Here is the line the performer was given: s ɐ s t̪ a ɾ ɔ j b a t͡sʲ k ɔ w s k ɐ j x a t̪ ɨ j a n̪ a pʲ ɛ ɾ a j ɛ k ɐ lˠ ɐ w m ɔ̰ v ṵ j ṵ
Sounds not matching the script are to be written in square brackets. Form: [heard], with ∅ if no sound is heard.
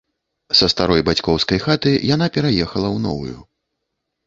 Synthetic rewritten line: s ɐ s t̪ a ɾ ɔ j b a t͡sʲ k ɔ w s k ɐ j x a t̪ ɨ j a n̪ a pʲ ɛ ɾ a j ɛ [x] ɐ lˠ ɐ w [n] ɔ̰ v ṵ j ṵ